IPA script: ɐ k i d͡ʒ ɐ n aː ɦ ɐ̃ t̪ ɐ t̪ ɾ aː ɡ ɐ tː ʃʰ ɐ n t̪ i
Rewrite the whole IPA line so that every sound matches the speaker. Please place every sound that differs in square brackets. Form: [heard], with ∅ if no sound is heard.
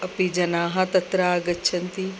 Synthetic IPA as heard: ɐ [p] i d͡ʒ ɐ n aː ɦ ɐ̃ t̪ ɐ t̪ ɾ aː ɡ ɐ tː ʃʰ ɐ n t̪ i